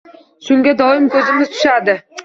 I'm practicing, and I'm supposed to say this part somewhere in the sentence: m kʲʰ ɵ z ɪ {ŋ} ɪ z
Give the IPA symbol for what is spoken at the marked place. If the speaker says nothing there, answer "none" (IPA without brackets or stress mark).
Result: m